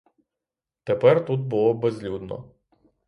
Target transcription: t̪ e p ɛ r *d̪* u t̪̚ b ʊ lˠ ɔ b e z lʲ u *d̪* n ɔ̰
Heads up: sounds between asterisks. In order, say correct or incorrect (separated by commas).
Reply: incorrect, correct